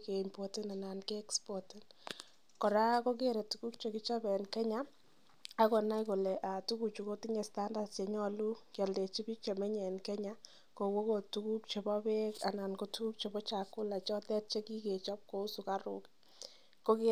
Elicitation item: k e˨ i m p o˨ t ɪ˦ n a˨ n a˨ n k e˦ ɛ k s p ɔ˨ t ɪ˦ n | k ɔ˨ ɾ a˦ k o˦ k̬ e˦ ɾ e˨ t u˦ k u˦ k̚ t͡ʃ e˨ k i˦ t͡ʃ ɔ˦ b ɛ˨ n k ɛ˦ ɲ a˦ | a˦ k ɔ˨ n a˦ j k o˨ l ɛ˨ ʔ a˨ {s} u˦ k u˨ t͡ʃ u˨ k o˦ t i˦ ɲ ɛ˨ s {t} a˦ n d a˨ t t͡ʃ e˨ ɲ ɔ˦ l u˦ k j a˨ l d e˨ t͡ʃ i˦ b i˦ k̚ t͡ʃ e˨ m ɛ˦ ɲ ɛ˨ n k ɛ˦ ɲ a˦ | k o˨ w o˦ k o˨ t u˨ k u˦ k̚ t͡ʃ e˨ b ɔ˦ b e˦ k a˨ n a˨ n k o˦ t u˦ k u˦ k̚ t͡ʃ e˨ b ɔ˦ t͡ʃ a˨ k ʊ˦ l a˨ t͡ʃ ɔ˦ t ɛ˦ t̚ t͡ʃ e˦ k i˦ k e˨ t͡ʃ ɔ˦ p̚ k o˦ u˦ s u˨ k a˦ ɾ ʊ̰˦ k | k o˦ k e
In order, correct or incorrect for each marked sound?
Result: incorrect, correct

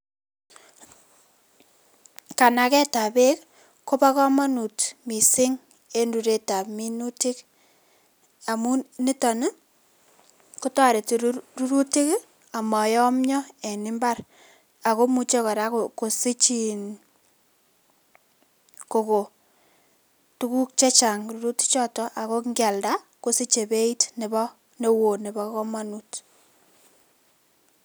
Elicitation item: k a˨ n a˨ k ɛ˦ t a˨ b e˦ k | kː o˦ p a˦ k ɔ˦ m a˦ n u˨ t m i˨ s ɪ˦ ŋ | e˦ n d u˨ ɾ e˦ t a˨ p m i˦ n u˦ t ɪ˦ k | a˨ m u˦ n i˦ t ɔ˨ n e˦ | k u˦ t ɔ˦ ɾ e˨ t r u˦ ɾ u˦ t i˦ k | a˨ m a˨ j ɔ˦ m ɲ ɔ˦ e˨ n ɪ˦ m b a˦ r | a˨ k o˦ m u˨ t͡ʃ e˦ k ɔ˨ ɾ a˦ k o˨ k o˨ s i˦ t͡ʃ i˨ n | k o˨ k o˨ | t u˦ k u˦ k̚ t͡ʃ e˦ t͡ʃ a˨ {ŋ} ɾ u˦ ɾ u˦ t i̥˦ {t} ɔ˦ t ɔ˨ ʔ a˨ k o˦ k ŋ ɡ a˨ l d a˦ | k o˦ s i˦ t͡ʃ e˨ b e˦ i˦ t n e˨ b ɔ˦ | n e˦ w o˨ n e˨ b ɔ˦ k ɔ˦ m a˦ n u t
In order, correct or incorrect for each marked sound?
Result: correct, incorrect

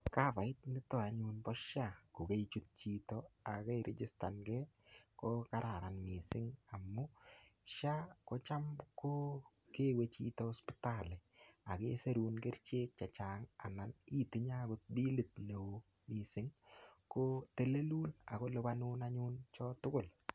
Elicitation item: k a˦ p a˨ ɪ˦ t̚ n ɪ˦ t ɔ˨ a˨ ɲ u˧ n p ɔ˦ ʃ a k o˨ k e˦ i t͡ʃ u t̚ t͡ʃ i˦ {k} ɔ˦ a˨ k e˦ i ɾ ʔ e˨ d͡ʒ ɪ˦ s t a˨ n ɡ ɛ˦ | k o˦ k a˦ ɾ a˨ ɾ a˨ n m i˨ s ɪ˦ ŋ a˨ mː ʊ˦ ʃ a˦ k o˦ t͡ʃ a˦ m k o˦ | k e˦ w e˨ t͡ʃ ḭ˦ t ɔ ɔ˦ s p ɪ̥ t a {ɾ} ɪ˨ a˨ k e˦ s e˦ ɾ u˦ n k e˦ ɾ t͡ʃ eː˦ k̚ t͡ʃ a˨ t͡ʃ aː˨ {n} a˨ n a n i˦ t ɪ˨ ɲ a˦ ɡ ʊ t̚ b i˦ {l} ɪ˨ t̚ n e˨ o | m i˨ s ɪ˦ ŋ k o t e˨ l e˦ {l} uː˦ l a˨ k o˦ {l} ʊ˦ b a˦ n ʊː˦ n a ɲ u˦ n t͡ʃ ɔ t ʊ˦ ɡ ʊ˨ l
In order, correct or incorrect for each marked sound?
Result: incorrect, incorrect, incorrect, correct, correct, correct

